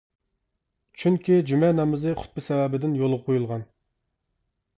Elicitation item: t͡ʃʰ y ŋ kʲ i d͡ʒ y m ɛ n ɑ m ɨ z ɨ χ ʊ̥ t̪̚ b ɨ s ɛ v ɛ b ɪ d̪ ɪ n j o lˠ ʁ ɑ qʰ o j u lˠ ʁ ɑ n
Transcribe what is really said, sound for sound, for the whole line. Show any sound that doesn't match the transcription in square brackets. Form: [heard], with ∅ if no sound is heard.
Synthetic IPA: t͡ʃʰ y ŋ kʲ i d͡ʒ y m ɛ n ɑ m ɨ z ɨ χ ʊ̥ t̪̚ b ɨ s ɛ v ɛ b ɪ d̪ ɪ n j o lˠ ʁ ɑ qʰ o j u lˠ ʁ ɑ n